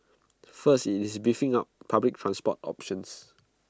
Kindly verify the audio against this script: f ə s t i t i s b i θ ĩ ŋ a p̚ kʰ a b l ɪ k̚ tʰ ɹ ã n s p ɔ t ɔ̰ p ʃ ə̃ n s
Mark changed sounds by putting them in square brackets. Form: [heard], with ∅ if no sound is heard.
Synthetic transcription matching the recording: f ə s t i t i s b i [f] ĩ ŋ a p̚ [pʰ] a b l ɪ k̚ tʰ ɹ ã n s p ɔ t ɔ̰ p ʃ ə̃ n s